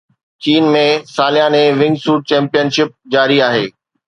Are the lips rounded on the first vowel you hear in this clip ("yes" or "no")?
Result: no